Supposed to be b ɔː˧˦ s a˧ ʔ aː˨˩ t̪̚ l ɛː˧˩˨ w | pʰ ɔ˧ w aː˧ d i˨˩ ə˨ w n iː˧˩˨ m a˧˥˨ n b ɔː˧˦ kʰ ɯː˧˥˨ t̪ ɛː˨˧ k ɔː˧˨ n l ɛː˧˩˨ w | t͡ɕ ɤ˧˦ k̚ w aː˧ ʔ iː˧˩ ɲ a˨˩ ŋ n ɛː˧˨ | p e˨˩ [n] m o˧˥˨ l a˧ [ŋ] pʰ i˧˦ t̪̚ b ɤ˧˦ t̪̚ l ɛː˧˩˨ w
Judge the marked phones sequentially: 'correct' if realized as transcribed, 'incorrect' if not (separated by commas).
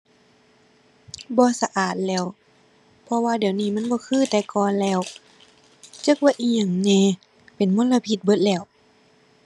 correct, incorrect